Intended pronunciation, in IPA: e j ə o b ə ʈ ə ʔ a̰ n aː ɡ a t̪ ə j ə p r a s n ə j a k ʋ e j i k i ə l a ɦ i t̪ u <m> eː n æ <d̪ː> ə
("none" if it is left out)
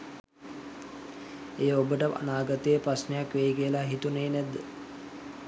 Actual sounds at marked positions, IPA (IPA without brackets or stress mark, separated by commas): n, d̪ː